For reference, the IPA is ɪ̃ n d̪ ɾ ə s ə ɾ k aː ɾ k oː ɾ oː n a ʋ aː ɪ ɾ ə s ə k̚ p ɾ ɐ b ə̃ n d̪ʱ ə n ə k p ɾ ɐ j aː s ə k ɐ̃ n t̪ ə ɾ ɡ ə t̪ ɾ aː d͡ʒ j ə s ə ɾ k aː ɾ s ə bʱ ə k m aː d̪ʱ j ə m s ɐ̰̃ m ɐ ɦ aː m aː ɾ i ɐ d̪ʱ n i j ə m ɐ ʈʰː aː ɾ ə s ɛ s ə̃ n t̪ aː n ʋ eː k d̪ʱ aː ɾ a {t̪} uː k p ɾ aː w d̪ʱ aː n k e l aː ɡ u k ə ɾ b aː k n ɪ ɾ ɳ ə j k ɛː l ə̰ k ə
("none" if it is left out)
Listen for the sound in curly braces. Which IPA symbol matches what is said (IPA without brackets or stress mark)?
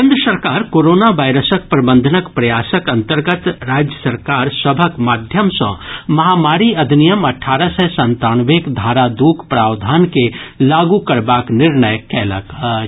d̪